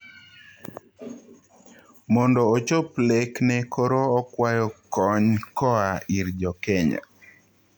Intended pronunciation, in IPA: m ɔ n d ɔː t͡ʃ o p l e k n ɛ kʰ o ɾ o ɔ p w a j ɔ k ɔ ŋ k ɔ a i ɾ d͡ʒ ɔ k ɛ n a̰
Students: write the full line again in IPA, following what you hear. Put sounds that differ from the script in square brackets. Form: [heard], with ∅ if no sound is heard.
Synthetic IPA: m ɔ n d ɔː t͡ʃ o p l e k n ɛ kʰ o ɾ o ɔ [k] w a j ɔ k ɔ [ɲ] k ɔ a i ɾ d͡ʒ ɔ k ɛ [ɲ] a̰